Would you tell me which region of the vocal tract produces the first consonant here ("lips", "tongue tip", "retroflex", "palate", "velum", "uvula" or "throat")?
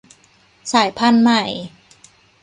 tongue tip